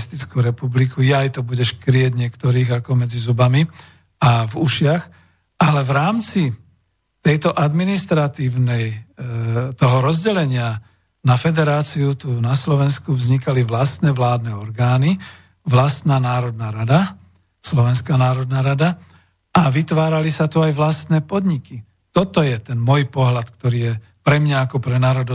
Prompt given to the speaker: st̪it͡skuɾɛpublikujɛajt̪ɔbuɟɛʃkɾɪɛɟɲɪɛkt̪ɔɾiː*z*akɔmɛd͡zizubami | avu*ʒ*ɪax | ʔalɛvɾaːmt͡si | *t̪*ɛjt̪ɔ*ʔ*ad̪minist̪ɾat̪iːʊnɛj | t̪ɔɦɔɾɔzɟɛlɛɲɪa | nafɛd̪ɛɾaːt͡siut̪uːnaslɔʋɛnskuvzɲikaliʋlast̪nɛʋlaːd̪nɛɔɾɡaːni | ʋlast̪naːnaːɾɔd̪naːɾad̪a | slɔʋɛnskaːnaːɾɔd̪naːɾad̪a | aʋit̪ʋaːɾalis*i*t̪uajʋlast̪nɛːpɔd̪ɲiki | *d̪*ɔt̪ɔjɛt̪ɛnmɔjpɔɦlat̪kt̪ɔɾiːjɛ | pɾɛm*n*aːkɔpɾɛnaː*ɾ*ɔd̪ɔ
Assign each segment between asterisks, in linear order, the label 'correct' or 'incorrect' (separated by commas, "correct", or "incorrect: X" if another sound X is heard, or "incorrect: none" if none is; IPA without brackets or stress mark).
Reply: incorrect: ɣ, incorrect: ʃ, correct, correct, incorrect: a, incorrect: t̪, incorrect: ɲ, correct